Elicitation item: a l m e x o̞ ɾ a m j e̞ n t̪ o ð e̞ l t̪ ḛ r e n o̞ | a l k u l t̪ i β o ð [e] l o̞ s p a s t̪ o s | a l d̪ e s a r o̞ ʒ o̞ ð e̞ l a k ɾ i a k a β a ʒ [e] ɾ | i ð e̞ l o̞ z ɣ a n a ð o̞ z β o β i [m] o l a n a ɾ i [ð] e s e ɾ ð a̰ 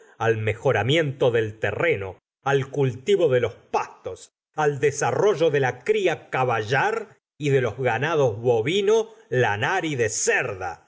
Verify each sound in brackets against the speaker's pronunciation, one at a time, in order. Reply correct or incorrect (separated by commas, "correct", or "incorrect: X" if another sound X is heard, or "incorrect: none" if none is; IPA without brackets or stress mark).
correct, incorrect: a, incorrect: n, correct